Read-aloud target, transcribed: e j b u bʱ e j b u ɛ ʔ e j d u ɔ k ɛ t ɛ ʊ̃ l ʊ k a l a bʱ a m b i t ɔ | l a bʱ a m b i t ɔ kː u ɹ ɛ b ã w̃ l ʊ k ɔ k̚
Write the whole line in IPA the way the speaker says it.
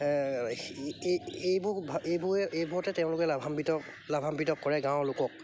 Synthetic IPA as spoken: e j b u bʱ e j b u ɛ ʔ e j b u ɔ t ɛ t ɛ ʊ̃ l ʊ k ɛ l a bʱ a m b i t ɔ | l a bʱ a m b i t ɔ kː ɔ ɹ ɛ ɡ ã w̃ l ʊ k ɔ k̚